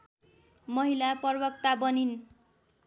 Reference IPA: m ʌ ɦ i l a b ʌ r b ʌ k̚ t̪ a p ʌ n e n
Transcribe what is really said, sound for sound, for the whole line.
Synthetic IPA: m ʌ ɦ i l a p ʌ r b ʌ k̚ t̪ a b ʌ n i n